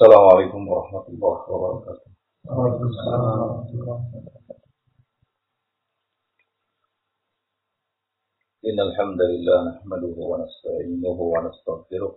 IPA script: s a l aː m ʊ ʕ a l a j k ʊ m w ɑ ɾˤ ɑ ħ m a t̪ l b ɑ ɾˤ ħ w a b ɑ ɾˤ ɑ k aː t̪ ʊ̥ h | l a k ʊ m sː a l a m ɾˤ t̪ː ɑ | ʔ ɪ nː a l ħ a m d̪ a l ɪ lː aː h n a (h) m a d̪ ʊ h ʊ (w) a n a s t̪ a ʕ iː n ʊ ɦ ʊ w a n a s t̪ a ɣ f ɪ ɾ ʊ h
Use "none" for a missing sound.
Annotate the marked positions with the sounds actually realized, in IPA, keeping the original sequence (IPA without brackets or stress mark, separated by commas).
ħ, w